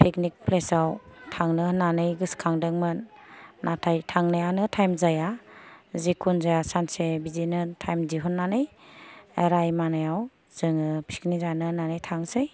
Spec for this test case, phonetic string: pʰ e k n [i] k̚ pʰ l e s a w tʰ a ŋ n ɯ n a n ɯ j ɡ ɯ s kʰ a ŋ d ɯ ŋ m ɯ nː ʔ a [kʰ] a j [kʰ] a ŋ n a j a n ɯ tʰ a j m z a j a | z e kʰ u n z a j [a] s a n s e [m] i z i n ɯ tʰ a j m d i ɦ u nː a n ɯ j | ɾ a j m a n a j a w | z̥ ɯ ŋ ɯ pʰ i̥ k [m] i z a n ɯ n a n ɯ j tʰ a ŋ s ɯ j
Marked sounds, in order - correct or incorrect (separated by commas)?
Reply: correct, incorrect, incorrect, correct, incorrect, incorrect